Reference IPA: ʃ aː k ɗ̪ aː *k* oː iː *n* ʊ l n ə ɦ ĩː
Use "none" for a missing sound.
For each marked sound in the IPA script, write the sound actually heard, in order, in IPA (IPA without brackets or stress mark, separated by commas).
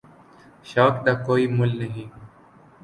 k, m